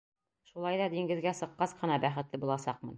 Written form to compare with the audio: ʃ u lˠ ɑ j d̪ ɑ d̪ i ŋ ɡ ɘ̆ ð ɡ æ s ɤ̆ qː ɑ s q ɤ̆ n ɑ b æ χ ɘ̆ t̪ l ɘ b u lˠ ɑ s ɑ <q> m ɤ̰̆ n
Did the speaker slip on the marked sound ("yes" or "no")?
no